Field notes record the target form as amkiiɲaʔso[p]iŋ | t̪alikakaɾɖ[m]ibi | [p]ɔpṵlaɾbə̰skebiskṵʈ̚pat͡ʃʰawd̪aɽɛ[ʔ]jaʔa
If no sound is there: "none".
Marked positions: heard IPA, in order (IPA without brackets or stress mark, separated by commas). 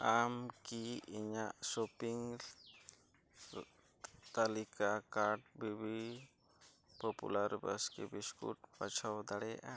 p, b, p, none